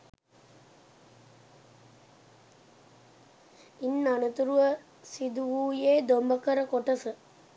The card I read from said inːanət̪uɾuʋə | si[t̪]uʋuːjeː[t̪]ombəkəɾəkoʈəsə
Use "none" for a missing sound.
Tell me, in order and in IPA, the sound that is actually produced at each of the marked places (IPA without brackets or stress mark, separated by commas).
d̪, d̪